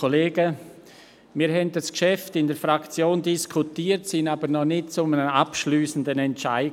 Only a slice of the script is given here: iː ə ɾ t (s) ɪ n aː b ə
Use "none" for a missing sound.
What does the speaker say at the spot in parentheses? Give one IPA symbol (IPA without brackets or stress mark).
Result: s